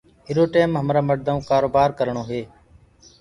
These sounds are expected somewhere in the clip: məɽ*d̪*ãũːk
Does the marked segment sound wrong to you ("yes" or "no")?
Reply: no